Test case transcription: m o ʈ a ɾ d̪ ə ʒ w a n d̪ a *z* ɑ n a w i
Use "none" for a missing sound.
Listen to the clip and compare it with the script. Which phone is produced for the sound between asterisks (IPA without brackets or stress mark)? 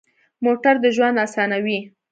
s